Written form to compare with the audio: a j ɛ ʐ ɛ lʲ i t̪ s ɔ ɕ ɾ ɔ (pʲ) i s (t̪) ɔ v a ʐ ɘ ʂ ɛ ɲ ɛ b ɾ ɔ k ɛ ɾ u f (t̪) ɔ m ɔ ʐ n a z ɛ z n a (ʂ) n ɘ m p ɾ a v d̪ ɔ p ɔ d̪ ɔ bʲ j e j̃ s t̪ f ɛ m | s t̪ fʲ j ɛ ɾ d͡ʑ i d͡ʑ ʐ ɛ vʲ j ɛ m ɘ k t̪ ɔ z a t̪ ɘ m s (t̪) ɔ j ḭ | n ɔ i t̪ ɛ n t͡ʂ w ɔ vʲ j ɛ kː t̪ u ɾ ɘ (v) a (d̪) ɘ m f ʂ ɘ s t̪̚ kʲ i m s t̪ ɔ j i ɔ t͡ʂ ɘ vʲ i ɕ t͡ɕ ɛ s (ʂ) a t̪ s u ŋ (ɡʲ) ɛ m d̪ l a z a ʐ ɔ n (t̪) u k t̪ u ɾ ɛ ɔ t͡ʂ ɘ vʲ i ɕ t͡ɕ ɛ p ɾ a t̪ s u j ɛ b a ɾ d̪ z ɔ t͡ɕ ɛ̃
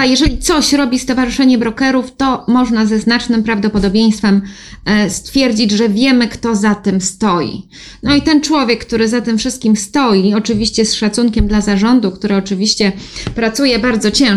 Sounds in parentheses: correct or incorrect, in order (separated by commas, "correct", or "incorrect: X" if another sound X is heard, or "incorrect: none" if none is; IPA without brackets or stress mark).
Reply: incorrect: bʲ, correct, correct, incorrect: t͡ʂ, correct, incorrect: z, incorrect: t̪, correct, incorrect: kʲ, incorrect: d̪